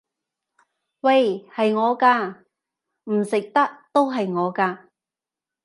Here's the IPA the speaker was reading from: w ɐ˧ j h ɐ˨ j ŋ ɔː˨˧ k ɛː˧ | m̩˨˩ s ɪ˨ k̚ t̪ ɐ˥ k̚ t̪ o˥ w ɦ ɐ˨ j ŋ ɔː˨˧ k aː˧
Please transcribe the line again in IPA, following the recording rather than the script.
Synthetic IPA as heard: w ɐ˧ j h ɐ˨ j ŋ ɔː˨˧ k aː˧ | m̩˨˩ s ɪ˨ k̚ t̪ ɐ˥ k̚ t̪ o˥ w ɦ ɐ˨ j ŋ ɔː˨˧ k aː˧